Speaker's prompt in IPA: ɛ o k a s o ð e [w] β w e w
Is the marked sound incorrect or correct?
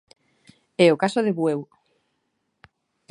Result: incorrect